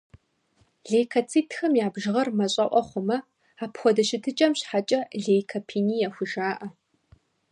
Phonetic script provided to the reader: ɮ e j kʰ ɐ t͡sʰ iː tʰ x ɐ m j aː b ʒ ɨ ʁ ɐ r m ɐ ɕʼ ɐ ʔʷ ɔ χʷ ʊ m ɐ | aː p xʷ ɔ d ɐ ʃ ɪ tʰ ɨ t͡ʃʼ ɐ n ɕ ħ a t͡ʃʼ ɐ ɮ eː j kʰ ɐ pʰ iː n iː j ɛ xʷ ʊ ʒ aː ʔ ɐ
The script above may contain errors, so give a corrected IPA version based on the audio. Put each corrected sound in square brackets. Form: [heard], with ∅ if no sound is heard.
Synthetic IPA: ɮ e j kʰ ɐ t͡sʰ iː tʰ x ɐ m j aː b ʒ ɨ ʁ ɐ r m ɐ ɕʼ ɐ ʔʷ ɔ χʷ ʊ m ɐ | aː p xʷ ɔ d ɐ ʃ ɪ tʰ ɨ t͡ʃʼ ɐ [m] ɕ ħ a t͡ʃʼ ɐ ɮ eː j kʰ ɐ pʰ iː n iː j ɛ xʷ ʊ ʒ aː ʔ ɐ